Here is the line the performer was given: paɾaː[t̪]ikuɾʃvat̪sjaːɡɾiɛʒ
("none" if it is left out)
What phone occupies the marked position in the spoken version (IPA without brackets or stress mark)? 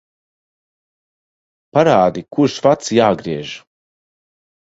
d̪